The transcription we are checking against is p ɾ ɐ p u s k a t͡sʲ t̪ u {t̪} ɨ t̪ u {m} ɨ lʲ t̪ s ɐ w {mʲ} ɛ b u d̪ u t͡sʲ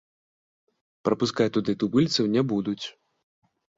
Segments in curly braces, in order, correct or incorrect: incorrect: d̪, incorrect: b, incorrect: nʲ

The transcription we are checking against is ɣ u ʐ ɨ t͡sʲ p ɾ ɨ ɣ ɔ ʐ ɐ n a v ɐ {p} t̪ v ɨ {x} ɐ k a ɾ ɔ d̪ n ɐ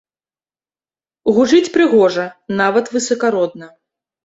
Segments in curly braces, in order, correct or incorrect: incorrect: none, incorrect: s

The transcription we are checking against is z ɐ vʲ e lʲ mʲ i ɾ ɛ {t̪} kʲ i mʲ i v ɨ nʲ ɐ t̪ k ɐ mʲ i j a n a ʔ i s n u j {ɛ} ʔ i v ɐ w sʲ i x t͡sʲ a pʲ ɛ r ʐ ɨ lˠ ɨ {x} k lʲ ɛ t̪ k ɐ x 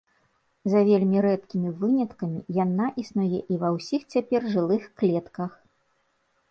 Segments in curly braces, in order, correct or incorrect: correct, correct, correct

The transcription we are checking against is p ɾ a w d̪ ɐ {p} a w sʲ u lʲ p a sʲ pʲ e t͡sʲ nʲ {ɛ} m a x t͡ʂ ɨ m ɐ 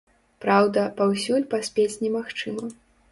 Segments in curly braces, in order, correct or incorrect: correct, correct

